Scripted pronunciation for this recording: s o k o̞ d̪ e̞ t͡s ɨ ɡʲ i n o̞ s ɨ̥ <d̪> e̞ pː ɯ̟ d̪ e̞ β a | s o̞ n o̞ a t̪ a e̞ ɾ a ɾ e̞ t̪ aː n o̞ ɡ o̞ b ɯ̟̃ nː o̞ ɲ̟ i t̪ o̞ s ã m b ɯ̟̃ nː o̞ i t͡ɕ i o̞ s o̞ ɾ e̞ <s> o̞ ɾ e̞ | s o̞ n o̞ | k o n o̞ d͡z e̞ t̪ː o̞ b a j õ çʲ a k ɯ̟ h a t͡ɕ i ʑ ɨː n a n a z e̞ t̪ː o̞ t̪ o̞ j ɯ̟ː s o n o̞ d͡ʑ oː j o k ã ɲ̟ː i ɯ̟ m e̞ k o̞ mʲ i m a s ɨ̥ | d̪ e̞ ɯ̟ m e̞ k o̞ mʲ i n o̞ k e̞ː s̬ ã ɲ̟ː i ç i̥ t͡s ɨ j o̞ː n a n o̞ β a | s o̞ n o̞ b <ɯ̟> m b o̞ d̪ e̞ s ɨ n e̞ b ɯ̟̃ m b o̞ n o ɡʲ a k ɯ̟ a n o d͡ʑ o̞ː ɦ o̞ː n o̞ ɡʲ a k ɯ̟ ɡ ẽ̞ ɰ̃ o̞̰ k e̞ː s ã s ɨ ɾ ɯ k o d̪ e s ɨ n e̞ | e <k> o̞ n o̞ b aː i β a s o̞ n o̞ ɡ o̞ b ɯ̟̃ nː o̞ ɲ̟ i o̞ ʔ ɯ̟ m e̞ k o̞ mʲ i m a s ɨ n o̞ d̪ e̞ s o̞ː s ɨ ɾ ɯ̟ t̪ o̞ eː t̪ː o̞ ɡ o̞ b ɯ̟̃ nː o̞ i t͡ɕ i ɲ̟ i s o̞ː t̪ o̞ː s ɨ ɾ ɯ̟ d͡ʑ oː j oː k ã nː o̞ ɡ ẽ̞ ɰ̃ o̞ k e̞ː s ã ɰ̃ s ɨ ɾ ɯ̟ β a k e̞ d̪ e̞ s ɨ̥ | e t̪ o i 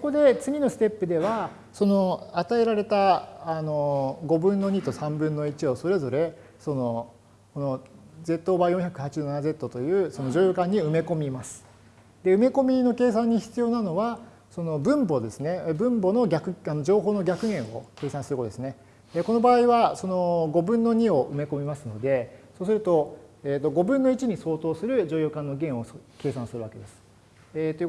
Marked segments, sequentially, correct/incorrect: incorrect: t̪, incorrect: z, incorrect: ɯ̟̃, correct

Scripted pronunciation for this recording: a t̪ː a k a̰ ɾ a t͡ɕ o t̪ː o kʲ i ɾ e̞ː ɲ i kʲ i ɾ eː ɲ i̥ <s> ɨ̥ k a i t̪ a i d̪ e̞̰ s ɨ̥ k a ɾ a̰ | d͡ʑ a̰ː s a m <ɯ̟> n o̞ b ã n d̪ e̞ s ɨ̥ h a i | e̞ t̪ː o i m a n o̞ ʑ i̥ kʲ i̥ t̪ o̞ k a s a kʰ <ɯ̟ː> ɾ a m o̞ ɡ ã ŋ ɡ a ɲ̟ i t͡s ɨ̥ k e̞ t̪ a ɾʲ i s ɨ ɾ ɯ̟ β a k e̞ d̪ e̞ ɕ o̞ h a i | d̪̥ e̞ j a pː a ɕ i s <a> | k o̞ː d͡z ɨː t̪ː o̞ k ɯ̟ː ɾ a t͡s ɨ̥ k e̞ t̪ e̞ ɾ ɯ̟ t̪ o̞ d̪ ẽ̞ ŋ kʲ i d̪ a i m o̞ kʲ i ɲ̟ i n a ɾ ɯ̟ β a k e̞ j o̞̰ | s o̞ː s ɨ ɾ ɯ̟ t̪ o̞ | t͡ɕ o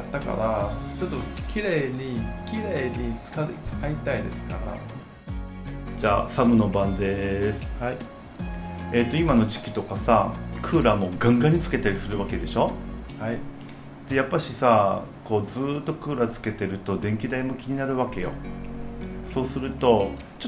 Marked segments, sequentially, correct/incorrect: incorrect: t͡s, correct, correct, correct

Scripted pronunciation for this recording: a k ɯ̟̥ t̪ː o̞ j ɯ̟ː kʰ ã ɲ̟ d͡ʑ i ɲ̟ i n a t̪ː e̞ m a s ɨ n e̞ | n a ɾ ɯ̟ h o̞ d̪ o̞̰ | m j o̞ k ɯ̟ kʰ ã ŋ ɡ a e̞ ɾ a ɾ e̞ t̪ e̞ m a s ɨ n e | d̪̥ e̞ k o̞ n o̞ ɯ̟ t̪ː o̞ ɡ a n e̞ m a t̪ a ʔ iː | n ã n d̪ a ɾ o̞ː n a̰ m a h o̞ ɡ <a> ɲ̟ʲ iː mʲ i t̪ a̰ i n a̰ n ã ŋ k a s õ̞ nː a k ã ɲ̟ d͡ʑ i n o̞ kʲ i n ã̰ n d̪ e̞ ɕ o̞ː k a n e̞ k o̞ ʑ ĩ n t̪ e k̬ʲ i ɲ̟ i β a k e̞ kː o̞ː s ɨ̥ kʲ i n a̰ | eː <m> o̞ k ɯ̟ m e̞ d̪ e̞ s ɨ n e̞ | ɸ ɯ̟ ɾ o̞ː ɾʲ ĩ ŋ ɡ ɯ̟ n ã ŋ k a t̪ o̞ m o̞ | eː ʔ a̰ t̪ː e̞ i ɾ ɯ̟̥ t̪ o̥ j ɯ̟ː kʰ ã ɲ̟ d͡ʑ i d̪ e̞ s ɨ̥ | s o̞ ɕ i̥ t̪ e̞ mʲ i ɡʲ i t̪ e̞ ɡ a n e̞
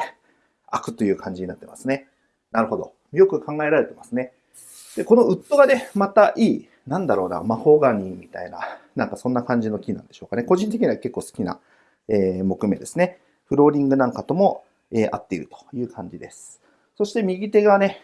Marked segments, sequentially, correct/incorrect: correct, correct

